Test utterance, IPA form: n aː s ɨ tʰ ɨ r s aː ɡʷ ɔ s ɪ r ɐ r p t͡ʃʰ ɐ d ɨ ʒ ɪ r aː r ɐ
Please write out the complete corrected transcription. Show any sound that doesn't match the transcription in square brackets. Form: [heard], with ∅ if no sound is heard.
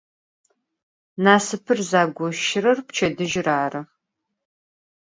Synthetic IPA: n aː s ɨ [pʰ] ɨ r [z] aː ɡʷ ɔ [ʃ] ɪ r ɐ r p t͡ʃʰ ɐ d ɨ ʒ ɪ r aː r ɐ